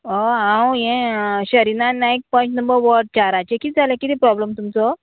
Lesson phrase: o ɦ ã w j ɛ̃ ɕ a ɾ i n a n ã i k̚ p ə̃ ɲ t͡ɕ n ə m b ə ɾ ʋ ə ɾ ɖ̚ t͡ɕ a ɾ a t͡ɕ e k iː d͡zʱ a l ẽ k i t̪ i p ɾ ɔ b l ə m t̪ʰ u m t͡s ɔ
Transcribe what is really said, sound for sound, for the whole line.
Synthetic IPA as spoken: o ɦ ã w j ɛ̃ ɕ ə ɾ i n a n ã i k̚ p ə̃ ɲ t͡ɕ n ə m b ə ɾ ʋ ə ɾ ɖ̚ t͡ɕ a ɾ a t͡ɕ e k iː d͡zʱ a l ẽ k i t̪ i p ɾ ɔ b l ə m t̪ u m t͡s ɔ